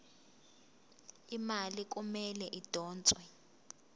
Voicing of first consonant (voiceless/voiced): voiced